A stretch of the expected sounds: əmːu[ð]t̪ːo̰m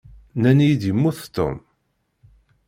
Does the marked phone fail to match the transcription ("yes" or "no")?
yes